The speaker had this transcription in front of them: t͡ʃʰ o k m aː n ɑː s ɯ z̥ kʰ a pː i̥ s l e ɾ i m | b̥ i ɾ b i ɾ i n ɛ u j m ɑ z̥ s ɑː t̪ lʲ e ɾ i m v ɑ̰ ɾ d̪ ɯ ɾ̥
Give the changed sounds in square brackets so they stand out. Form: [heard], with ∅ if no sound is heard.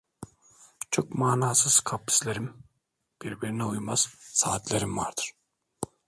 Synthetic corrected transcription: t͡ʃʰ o k m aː n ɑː s ɯ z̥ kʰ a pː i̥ s l e ɾ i m | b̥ i ɾ b i ɾ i n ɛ u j m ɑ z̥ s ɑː t̪ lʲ e ɾ i m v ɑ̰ ɾ d̪ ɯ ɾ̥